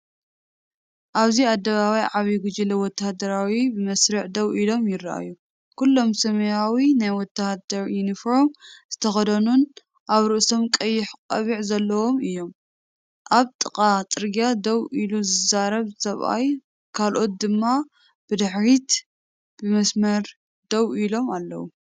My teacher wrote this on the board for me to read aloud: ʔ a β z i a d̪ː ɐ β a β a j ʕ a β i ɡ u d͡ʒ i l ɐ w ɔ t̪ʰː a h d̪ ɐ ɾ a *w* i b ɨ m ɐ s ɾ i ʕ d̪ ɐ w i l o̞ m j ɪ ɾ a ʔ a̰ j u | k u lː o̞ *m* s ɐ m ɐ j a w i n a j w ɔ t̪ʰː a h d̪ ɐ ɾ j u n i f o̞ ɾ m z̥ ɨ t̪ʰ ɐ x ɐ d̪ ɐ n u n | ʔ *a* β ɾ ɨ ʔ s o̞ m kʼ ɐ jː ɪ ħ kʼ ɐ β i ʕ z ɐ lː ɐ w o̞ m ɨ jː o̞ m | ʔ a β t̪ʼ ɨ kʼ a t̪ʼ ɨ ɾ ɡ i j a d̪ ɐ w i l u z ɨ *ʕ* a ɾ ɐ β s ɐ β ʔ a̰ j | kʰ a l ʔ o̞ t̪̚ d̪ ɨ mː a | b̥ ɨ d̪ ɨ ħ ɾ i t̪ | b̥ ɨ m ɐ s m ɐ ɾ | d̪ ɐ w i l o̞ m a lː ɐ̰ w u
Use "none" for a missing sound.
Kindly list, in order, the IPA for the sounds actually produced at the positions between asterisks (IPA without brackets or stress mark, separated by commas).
w, m, a, z